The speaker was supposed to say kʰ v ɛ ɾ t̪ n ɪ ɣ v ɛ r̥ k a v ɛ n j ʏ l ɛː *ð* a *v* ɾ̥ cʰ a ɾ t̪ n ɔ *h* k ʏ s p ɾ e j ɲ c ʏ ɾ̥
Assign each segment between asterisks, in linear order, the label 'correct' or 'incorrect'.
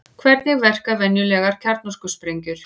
incorrect: ɣ, incorrect: none, incorrect: s

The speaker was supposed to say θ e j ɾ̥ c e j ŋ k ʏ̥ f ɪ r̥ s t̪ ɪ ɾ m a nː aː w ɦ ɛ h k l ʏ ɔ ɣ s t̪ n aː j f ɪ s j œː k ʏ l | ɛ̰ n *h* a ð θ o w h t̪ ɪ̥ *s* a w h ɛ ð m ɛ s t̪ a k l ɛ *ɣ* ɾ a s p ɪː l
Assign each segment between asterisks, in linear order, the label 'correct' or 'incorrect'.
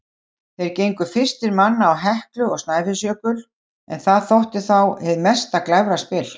incorrect: θ, incorrect: θ, incorrect: v

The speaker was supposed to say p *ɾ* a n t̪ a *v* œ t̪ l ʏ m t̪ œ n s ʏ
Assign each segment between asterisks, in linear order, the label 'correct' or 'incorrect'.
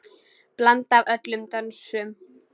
incorrect: l, correct

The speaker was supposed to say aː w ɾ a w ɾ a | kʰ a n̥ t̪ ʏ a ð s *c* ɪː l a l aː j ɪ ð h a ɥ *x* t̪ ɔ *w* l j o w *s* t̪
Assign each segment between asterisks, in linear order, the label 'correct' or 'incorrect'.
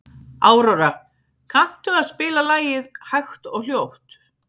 incorrect: p, correct, incorrect: ɣ, incorrect: h

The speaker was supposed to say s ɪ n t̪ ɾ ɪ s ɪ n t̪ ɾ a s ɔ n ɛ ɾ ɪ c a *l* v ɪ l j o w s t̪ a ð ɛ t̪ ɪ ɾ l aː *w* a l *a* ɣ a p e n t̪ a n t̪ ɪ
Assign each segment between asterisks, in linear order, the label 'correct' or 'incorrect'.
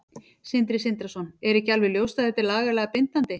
correct, incorrect: ɣ, incorrect: ɛ

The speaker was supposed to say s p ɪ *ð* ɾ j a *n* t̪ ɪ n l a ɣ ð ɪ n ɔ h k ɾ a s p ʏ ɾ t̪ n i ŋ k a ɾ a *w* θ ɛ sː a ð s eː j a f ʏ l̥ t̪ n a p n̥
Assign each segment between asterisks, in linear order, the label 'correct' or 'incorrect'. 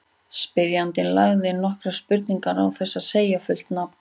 incorrect: none, correct, correct

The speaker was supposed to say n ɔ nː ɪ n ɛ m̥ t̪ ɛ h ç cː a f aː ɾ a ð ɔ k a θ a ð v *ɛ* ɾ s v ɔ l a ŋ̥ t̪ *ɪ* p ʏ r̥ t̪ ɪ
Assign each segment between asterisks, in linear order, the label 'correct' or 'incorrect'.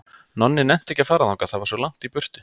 incorrect: a, incorrect: i

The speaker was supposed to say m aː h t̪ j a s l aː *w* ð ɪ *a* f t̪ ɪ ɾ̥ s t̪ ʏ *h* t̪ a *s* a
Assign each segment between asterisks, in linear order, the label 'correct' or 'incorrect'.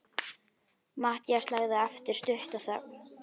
incorrect: ɣ, incorrect: ɛ, correct, incorrect: θ

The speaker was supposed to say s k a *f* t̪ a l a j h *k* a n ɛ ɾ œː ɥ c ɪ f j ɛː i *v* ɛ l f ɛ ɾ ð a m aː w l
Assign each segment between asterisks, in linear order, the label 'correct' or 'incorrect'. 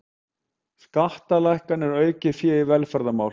incorrect: h, correct, correct

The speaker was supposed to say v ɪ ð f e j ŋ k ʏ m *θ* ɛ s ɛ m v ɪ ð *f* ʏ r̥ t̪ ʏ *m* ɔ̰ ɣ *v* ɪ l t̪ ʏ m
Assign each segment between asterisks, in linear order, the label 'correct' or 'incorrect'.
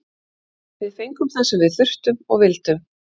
correct, incorrect: θ, correct, correct

